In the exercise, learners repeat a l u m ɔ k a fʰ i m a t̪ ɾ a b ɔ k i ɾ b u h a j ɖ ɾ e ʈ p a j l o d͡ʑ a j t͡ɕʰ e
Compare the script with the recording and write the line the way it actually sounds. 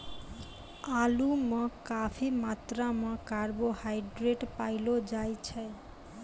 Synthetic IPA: a l u m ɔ k a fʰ i m a t̪ ɾ a m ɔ k a ɾ b o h a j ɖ ɾ e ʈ p a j l o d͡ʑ a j t͡ɕʰ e